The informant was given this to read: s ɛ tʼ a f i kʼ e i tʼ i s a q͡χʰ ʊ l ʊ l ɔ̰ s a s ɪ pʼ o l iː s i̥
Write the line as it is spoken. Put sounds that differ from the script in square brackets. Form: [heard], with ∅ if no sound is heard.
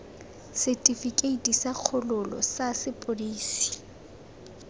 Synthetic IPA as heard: s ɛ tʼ [i] f i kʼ e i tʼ i s a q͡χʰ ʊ l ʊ l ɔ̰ s a s ɪ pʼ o l iː s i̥